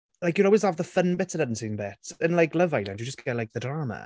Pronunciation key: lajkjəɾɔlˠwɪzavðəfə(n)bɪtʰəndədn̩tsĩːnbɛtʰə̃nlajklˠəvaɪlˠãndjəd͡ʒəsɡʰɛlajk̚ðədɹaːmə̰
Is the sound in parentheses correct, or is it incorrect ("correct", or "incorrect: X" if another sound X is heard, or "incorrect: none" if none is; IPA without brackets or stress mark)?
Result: correct